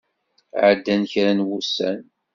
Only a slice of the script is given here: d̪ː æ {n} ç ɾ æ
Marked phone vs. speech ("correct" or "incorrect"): correct